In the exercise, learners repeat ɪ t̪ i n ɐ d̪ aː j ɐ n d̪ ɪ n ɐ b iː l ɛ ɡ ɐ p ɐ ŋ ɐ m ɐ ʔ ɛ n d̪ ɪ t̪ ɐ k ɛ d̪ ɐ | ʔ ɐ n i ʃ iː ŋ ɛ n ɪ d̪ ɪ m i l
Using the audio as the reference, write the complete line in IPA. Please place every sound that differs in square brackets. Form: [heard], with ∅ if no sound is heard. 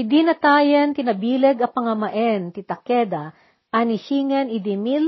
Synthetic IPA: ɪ [d̪] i n ɐ [t̪] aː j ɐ n [t̪] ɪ n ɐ b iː l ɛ ɡ ɐ p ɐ ŋ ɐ m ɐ ʔ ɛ n [t̪] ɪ t̪ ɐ k ɛ d̪ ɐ | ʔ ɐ n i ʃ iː ŋ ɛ n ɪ d̪ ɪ m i l